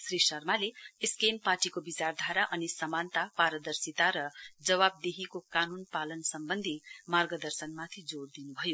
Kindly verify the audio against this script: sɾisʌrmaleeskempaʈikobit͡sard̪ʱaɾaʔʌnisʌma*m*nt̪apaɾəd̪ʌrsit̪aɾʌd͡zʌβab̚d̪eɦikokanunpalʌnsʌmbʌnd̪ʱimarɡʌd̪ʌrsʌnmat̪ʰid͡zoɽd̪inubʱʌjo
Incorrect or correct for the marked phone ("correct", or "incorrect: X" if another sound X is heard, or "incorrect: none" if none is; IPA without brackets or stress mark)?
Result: incorrect: none